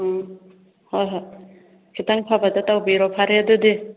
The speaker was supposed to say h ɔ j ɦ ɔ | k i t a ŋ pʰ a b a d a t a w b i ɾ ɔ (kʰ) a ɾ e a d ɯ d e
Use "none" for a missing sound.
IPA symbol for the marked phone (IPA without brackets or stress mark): pʰ